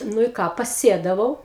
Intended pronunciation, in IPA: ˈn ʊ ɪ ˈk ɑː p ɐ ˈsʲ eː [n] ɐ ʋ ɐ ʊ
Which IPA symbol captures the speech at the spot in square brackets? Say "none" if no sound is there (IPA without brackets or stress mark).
d